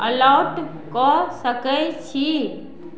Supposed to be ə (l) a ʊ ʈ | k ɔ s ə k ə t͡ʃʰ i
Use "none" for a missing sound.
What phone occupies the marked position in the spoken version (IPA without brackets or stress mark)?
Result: l